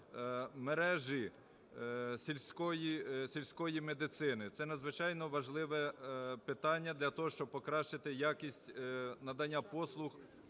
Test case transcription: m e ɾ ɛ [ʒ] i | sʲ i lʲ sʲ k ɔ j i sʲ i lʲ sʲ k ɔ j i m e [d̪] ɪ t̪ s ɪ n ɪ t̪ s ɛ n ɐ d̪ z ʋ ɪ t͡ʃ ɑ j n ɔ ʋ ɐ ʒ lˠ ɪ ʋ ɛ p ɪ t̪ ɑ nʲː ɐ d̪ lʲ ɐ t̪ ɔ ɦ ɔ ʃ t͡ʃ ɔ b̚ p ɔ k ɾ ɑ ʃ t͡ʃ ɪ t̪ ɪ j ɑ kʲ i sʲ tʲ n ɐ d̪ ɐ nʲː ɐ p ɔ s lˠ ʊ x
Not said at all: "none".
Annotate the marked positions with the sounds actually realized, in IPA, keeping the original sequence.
ʒ, d̪

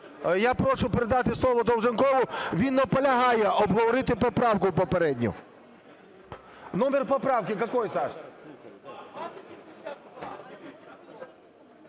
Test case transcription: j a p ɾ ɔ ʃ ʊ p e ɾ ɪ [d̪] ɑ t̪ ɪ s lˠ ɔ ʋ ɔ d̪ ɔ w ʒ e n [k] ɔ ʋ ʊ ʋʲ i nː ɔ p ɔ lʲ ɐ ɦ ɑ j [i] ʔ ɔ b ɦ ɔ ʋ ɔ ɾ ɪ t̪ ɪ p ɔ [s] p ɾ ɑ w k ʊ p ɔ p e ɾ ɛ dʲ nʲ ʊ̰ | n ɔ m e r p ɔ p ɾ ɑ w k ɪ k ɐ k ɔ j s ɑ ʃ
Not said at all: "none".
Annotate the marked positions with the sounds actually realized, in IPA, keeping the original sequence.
d̪, k, ɛ, none

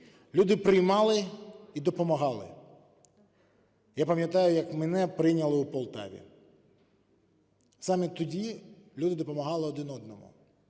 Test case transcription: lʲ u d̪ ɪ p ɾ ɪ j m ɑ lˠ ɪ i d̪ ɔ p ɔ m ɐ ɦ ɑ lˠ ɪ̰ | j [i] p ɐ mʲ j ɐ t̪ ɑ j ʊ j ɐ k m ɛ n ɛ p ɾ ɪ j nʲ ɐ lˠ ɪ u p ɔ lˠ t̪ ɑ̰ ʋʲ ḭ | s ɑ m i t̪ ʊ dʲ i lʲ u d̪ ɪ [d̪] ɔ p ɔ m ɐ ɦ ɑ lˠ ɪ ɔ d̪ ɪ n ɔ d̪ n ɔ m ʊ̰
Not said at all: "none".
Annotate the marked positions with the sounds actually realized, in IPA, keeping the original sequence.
a, d̪

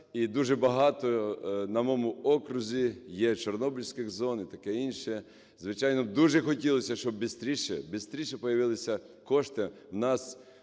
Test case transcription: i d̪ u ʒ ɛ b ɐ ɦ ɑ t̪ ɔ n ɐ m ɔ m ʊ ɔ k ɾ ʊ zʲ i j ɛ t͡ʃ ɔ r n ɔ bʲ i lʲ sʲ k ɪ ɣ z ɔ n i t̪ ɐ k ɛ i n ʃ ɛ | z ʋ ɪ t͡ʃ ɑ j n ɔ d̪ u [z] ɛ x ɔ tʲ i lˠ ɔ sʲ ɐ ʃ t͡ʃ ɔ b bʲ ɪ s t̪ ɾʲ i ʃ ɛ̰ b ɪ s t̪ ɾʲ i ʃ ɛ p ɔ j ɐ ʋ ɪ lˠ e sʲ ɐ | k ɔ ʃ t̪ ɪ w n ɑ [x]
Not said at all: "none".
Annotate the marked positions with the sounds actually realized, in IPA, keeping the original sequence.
ʒ, s

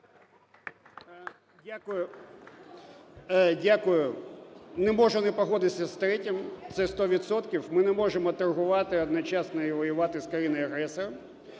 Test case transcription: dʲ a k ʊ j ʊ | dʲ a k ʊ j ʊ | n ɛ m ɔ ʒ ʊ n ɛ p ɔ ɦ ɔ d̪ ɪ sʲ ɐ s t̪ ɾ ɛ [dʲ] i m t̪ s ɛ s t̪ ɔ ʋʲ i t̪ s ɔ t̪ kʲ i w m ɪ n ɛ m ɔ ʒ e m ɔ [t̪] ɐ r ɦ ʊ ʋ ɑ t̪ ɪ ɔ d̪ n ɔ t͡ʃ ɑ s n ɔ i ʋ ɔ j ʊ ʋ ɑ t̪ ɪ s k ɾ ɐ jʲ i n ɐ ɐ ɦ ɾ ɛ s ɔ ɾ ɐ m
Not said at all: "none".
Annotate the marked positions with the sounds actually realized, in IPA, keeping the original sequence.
tʲ, t̪

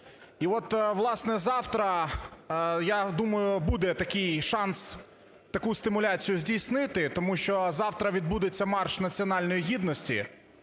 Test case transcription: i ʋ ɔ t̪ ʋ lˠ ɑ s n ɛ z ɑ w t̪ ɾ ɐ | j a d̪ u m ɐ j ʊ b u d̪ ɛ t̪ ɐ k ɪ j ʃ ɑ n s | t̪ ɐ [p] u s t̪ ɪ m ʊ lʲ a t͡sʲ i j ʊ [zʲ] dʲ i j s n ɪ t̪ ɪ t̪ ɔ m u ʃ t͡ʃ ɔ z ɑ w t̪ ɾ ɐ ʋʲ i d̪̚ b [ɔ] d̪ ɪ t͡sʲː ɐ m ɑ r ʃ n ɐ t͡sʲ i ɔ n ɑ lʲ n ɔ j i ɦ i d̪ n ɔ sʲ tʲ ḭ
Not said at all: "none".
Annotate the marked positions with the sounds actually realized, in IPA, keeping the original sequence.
k, zʲ, u

